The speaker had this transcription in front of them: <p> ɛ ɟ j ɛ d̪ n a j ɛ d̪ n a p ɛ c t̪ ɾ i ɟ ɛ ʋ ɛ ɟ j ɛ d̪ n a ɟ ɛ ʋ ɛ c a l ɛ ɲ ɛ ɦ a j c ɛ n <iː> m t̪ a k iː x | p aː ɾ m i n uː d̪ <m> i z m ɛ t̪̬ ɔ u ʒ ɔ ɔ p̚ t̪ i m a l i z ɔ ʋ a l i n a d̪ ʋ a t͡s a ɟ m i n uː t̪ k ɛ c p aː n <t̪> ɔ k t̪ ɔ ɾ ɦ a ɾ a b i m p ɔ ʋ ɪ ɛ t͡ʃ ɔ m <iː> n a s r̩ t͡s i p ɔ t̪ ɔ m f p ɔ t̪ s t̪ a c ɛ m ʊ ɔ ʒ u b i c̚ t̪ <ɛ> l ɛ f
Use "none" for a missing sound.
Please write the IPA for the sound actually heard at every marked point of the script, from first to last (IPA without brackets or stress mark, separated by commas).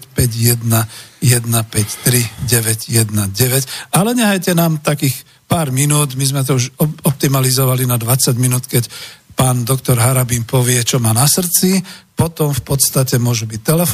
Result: p, aː, m, d̪, aː, ɛ